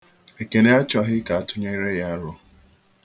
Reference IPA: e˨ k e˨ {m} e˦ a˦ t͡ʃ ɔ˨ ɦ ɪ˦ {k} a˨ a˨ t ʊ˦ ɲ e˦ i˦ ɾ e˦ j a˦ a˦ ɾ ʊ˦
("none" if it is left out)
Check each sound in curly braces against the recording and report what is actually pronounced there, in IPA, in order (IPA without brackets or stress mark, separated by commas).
n, k